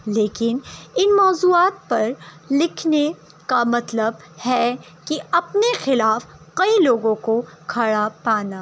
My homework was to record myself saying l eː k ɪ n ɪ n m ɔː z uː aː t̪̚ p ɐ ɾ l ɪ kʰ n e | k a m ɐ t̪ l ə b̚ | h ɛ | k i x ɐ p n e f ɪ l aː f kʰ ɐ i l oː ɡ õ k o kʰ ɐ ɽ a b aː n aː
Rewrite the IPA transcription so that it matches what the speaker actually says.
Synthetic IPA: l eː k ɪ n ɪ n m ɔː z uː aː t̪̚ p ɐ ɾ l ɪ kʰ n e | k a m ɐ t̪ l ə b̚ | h ɛ | k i ɐ p n e x ɪ l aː f k ɐ i l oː ɡ õ k o kʰ ɐ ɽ a p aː n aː